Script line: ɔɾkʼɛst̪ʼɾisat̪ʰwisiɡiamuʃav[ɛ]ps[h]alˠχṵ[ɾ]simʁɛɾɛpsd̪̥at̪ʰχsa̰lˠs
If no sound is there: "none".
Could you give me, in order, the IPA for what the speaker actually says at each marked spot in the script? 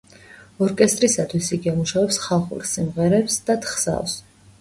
ɛ, χ, ɾ

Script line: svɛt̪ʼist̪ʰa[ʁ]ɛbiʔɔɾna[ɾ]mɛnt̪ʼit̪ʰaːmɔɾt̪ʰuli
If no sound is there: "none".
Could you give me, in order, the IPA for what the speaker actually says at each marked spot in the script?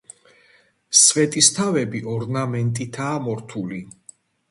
v, none

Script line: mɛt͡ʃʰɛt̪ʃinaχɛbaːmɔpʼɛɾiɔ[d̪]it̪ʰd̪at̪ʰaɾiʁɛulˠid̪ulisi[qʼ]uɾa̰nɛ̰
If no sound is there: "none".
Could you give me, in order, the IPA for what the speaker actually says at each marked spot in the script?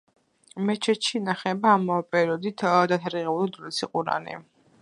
d̪, qʼ

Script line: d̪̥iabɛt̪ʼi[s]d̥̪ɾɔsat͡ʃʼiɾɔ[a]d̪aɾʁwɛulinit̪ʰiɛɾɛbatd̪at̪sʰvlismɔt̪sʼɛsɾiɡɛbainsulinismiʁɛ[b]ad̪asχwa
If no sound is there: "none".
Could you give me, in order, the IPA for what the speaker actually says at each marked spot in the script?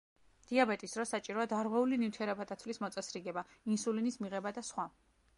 s, a, b

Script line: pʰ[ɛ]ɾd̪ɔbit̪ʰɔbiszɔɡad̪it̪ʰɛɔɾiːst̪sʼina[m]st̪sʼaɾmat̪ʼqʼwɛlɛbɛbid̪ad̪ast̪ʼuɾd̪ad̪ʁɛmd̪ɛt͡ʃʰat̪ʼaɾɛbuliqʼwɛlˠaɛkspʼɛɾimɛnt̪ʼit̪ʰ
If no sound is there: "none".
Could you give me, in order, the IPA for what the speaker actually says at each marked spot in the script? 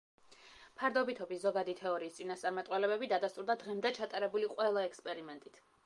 a, none

